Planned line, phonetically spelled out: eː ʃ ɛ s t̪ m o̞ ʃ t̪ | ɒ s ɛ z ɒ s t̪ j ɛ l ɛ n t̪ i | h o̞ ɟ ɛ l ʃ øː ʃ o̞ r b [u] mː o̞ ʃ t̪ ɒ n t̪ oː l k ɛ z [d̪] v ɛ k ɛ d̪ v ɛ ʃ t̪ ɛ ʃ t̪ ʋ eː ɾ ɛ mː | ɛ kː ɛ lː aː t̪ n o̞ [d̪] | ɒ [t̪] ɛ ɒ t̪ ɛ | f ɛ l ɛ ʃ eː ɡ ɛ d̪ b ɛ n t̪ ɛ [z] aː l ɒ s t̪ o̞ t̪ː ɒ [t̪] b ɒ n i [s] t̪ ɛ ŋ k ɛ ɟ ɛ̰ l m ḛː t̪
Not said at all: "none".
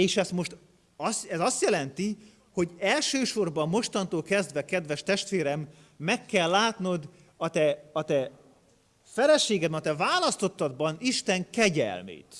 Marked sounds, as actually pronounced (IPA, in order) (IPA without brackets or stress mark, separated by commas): ɒ, d̪, d̪, t̪, v, d̪, ʃ